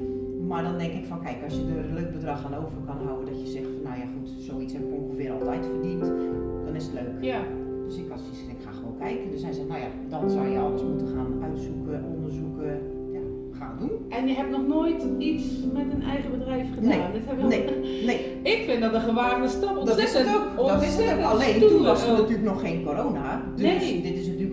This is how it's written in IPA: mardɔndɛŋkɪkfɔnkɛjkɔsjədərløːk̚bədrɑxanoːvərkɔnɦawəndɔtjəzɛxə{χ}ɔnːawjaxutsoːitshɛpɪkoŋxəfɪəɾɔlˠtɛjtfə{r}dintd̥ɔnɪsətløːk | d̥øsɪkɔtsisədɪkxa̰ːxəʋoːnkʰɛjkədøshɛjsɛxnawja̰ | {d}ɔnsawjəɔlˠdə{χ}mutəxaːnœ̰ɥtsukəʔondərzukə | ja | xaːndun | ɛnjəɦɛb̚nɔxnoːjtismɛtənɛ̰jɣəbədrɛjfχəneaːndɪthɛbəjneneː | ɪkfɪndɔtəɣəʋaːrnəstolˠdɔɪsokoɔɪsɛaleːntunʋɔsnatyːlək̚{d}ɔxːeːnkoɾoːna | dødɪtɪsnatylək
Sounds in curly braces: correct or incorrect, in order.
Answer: incorrect: f, correct, correct, incorrect: s, incorrect: n

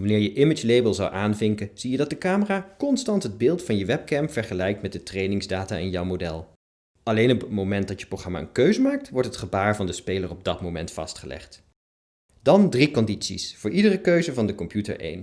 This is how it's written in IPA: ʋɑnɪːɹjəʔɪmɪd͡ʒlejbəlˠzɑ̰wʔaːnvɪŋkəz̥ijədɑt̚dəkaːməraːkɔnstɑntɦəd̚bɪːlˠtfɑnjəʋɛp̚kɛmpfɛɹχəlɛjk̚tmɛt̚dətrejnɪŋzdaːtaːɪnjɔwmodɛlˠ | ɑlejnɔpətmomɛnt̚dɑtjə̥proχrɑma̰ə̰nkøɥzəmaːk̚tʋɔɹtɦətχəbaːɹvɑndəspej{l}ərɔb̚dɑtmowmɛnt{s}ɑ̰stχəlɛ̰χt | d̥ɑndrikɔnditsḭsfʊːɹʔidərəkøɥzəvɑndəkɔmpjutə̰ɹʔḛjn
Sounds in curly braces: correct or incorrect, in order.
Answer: correct, incorrect: f

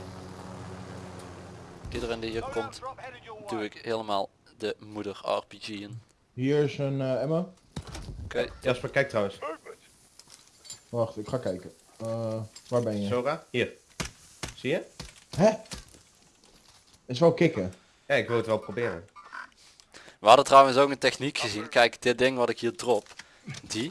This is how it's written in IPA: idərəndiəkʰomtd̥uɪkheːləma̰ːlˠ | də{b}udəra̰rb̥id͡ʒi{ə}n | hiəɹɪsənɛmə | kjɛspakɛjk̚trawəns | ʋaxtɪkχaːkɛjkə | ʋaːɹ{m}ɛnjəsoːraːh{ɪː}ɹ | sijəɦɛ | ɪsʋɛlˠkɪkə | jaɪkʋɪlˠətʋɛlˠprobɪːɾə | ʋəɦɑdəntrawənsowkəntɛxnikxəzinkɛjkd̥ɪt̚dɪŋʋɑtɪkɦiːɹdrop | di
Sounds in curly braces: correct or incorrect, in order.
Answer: incorrect: m, correct, incorrect: b, incorrect: iː

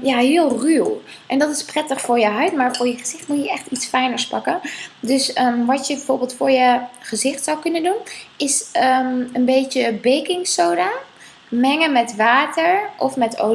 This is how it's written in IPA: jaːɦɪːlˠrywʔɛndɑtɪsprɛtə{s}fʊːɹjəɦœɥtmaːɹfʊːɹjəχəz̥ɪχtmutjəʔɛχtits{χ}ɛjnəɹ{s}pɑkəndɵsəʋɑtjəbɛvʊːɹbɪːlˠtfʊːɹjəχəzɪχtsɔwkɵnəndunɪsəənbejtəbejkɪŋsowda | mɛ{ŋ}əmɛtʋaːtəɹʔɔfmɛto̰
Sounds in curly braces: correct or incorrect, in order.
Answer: incorrect: χ, incorrect: f, correct, correct

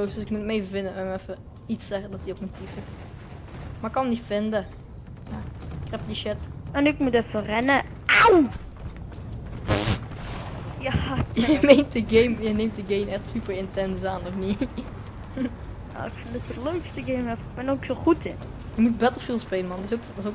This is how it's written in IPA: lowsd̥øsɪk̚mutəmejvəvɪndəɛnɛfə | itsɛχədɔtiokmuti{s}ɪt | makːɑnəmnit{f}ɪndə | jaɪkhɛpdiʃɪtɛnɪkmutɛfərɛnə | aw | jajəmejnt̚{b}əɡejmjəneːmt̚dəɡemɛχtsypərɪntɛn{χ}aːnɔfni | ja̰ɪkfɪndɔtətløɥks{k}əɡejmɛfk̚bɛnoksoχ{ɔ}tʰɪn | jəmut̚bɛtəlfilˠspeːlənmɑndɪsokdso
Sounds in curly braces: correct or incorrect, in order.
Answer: incorrect: f, correct, incorrect: d, incorrect: s, incorrect: t, incorrect: u

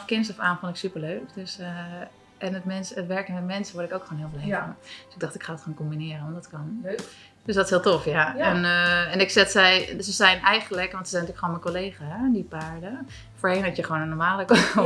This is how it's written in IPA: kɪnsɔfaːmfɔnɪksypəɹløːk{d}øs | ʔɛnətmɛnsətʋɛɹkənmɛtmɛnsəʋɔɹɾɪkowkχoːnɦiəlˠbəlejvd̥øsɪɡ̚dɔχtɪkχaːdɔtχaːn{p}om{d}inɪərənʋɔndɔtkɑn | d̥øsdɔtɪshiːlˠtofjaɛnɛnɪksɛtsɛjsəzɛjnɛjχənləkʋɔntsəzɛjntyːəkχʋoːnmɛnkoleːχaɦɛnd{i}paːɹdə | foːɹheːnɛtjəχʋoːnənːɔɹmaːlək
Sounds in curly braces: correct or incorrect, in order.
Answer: correct, incorrect: k, incorrect: b, correct

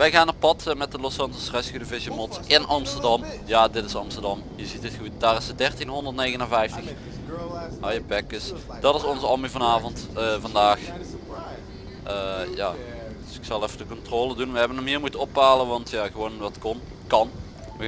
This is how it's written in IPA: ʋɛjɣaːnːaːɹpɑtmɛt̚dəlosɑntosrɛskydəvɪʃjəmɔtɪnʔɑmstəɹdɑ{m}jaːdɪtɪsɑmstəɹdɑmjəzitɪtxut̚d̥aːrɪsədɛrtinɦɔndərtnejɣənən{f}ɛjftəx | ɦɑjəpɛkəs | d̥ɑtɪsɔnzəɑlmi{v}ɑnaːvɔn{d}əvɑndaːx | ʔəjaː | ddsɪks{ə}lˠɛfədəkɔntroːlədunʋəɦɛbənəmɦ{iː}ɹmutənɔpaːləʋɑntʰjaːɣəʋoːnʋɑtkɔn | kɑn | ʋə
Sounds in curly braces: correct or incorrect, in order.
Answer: correct, incorrect: v, correct, incorrect: t, incorrect: ɑ, correct

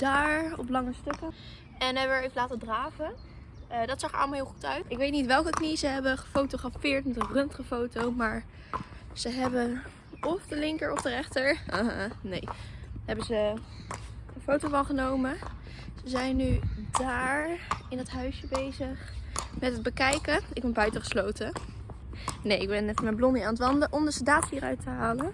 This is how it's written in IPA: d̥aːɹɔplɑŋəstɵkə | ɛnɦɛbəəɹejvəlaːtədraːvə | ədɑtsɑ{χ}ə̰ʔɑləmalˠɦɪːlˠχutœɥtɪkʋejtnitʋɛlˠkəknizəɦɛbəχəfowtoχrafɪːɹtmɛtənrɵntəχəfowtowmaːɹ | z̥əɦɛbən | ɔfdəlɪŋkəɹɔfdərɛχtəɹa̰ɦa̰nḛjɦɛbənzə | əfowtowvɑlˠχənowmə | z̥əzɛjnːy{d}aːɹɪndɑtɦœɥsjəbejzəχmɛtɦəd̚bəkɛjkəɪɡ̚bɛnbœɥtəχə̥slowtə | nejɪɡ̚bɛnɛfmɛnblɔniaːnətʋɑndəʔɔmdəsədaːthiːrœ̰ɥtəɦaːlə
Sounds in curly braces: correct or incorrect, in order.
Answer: correct, correct

